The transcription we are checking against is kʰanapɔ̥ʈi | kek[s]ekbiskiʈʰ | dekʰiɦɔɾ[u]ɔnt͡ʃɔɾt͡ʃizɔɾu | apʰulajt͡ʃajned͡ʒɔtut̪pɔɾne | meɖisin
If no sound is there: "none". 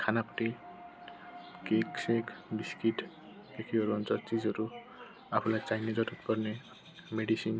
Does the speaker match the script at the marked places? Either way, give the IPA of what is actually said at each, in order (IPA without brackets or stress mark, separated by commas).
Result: s, u